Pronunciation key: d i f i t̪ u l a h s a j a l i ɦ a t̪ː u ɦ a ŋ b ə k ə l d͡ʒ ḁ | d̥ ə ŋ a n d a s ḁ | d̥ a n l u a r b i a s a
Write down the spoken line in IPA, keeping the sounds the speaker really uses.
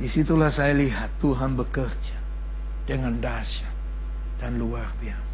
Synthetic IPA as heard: d i s i t̪ u l a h s a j a l i ɦ a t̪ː u ɦ a n b ə k ə r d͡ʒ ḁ | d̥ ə ŋ a n d a s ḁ | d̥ a n l u a r b i a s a